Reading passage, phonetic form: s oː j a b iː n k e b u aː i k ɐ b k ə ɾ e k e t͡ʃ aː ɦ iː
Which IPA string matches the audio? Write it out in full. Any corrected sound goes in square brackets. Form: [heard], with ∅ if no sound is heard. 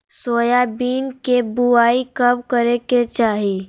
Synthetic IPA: s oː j a b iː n k e b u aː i k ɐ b k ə ɾ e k e t͡ʃ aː ɦ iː